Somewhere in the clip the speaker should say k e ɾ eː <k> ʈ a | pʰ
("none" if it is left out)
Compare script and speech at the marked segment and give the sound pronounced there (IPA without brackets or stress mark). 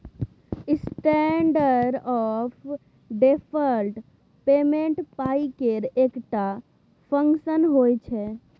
k